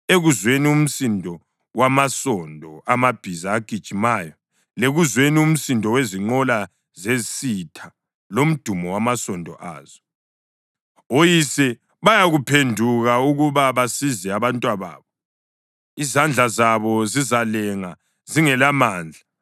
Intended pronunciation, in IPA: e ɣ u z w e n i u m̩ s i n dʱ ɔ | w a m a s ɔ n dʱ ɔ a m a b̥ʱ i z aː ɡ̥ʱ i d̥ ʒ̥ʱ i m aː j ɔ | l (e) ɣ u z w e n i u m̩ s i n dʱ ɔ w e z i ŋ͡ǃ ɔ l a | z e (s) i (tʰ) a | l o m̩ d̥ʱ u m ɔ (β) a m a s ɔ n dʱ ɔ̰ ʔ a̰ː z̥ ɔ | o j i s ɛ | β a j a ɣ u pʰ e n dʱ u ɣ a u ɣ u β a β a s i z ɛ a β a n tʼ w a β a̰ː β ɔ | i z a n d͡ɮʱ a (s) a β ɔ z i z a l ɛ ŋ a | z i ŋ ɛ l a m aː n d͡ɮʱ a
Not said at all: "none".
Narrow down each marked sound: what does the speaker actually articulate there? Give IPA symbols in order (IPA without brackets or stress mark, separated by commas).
e, s, tʰ, w, z